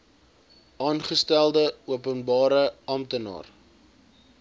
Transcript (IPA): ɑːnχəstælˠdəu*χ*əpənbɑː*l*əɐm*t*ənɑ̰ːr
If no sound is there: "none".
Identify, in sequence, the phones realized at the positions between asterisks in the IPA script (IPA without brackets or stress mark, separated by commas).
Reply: none, ɾ, t